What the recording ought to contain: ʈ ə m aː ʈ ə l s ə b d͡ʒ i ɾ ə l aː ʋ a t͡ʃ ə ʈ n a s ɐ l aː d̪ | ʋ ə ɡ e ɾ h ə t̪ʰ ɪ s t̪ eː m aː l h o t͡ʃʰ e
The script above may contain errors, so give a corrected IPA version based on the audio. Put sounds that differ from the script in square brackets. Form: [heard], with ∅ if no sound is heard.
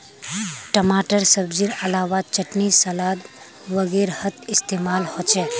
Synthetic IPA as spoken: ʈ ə m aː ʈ ə [ɾ] s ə b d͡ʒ i ɾ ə l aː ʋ a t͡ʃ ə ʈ n [i] s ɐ l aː d̪ | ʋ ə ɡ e ɾ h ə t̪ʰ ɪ s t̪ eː m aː l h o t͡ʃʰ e